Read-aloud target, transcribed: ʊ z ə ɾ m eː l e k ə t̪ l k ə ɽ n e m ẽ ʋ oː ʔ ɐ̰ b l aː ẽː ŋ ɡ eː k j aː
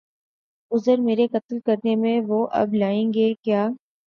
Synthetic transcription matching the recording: ʊ z ə ɾ m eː ɾ e k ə t̪ l k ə ɾ n e m ẽ ʋ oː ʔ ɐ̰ b l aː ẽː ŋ ɡ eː k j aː